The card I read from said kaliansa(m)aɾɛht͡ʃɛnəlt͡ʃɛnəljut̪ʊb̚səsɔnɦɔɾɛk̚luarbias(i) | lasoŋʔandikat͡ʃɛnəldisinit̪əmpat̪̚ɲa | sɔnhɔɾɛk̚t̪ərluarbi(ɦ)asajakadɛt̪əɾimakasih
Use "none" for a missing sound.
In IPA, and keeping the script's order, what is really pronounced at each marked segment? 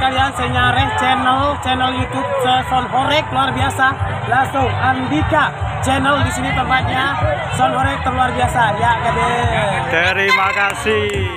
ɲ, a, none

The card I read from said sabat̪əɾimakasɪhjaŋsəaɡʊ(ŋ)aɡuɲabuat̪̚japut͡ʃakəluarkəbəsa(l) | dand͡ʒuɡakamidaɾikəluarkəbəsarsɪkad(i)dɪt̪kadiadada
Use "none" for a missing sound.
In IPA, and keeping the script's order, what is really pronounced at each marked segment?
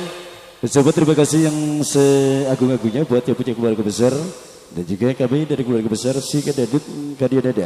ŋ, r, a

